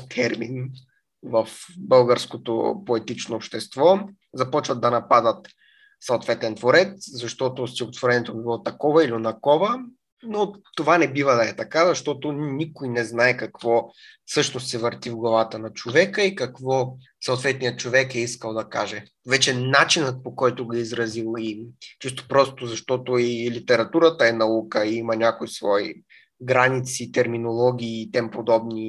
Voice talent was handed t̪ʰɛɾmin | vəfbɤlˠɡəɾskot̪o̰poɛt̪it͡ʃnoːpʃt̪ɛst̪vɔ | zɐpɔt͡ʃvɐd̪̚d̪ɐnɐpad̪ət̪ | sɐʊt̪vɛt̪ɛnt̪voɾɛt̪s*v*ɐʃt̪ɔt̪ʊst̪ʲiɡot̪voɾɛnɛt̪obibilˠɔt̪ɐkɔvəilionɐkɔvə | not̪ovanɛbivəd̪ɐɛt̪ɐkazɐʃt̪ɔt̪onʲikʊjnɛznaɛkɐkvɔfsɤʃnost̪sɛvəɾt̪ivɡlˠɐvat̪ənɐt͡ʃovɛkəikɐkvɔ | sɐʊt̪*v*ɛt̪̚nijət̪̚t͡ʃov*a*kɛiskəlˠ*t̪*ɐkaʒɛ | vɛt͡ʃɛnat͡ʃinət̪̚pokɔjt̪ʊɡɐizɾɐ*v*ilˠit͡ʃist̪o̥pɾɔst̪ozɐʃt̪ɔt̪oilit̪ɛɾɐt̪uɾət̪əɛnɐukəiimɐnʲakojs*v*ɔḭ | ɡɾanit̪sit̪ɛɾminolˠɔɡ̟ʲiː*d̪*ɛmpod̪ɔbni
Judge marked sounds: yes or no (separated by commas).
no, yes, no, no, no, yes, no